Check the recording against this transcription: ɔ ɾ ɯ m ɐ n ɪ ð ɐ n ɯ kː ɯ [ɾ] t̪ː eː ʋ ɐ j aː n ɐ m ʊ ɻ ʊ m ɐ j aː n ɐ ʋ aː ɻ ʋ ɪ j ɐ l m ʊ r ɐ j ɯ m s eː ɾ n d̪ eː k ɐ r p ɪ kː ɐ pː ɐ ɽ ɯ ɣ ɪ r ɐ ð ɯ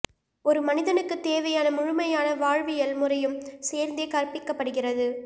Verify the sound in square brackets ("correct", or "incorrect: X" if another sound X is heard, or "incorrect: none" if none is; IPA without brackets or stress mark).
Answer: incorrect: none